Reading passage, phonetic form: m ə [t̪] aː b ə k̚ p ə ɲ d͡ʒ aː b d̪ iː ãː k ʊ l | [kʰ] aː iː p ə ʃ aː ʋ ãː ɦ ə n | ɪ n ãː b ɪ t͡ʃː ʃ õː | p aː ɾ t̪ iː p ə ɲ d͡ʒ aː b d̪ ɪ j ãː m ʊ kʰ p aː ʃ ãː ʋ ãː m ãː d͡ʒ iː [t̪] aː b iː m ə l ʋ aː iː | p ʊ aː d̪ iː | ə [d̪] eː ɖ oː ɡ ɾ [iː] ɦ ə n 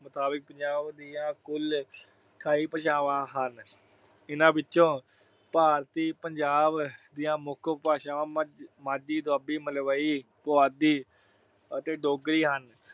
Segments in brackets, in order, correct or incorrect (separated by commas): correct, correct, incorrect, incorrect, correct